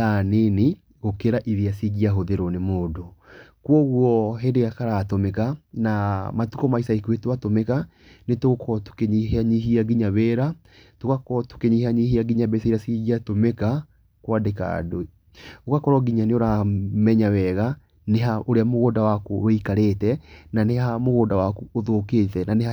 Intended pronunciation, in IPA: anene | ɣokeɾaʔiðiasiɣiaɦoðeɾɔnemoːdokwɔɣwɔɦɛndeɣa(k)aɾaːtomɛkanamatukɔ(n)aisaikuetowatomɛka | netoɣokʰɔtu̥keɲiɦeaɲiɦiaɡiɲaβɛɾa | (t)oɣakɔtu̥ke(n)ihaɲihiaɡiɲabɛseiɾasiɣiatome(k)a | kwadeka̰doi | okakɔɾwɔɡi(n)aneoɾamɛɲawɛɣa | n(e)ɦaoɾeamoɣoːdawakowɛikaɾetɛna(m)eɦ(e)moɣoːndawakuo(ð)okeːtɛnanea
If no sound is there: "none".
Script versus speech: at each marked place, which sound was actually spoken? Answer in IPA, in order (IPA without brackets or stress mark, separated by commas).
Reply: k, m, t, ɲ, k, ɲ, e, n, a, ð